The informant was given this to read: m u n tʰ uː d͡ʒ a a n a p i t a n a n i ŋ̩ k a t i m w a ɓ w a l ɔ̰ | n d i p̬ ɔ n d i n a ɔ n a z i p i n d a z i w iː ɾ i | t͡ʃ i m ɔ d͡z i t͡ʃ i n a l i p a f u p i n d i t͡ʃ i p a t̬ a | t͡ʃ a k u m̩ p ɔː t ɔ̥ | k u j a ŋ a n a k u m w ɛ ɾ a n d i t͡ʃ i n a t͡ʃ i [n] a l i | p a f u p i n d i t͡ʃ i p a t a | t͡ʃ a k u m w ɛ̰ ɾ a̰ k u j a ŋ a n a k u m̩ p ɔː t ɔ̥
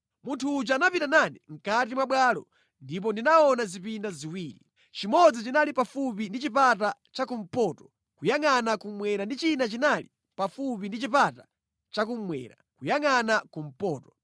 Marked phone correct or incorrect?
correct